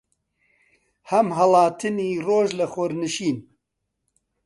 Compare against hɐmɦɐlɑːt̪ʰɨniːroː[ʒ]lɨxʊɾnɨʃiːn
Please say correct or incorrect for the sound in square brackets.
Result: correct